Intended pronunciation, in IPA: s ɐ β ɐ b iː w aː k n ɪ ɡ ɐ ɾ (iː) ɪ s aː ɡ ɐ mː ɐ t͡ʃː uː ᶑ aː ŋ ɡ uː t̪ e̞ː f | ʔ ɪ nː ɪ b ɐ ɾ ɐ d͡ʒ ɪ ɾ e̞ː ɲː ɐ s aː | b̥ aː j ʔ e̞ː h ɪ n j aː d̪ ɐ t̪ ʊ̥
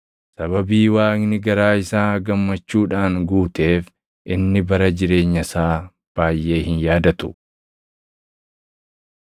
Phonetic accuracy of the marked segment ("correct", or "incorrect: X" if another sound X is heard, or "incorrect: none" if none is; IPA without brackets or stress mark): incorrect: aː